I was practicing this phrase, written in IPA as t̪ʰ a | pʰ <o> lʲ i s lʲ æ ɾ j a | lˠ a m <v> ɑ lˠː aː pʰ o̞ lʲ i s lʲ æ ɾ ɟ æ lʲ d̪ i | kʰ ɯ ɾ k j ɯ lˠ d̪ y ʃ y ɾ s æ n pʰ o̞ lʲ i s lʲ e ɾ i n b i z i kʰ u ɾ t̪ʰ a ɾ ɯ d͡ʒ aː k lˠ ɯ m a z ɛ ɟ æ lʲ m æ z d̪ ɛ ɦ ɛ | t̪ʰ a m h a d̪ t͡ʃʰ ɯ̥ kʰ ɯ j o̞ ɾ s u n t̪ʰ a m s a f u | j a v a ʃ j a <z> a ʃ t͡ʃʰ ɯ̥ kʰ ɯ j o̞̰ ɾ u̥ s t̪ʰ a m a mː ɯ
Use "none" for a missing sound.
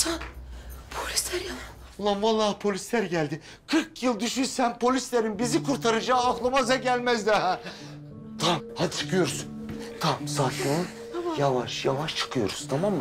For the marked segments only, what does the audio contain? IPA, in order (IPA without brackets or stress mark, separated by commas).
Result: o, v, v